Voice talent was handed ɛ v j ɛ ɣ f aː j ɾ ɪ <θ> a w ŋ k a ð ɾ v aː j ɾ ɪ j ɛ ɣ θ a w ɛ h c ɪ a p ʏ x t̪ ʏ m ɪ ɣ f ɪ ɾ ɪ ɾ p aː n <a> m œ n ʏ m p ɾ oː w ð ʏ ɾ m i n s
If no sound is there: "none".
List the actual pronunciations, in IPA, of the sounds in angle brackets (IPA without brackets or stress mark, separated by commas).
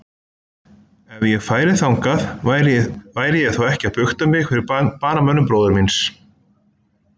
θ, a